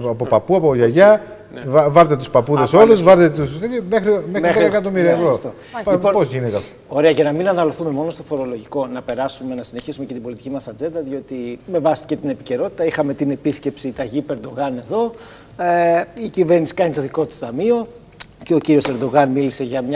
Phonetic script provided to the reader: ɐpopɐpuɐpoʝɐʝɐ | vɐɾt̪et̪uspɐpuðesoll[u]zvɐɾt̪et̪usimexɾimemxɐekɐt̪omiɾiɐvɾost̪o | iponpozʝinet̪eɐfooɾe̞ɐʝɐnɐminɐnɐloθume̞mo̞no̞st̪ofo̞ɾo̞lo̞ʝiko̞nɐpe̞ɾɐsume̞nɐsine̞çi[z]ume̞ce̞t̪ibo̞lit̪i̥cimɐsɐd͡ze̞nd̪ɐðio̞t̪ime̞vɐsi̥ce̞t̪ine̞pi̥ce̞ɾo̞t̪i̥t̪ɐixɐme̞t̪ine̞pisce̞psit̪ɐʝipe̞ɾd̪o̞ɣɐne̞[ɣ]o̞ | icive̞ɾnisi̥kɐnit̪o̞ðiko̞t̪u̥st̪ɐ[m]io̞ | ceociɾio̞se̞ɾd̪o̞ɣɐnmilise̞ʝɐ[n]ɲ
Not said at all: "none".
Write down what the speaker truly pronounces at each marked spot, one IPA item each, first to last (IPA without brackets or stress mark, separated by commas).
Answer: u, s, ð, m, m